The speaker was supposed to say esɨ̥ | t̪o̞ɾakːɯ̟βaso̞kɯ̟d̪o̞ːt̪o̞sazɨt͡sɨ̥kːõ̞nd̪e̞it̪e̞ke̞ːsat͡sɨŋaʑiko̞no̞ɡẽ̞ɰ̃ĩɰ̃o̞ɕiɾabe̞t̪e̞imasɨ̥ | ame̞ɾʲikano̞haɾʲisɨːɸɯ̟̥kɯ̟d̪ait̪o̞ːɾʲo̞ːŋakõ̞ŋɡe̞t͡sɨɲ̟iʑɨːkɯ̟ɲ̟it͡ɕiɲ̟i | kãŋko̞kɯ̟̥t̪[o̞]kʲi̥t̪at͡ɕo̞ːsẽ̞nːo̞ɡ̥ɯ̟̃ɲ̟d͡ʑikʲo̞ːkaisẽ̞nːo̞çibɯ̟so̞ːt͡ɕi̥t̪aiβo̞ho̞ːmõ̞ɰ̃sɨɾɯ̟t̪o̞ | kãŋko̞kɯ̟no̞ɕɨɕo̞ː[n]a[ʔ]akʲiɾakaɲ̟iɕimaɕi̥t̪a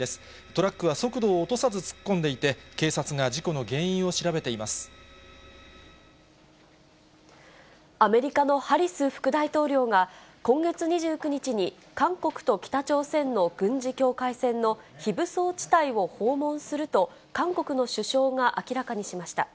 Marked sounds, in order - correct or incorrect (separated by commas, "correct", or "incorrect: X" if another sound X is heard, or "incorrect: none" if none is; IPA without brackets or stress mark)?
correct, incorrect: ŋ, correct